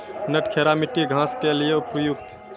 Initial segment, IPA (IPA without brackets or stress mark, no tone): n